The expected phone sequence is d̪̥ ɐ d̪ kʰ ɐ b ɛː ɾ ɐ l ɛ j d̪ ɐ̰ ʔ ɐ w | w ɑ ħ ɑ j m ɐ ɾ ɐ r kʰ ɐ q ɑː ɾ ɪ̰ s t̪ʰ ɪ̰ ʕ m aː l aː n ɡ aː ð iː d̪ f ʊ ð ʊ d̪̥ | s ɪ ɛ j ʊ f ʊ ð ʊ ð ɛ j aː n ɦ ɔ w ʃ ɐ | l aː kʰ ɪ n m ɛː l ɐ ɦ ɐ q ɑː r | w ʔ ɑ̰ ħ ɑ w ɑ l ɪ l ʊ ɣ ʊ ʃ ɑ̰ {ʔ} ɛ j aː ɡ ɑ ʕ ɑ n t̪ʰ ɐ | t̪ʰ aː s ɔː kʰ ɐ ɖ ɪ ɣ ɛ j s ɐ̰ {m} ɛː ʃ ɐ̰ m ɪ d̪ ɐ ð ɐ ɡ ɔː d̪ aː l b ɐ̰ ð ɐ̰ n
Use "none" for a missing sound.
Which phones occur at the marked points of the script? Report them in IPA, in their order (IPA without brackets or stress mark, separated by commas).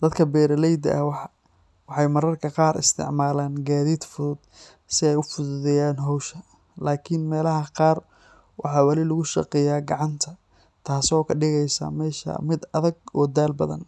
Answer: q, m